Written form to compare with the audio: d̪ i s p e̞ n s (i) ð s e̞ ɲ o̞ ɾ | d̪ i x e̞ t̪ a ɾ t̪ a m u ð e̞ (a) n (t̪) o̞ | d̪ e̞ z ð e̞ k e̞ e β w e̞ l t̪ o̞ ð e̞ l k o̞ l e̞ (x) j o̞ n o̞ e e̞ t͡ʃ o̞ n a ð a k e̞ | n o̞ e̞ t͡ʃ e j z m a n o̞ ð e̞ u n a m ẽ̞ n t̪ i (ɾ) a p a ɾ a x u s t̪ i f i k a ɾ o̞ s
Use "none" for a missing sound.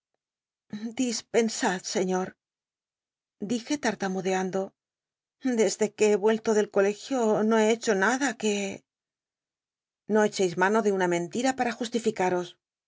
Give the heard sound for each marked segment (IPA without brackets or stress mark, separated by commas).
a, a, d̪, x, ɾ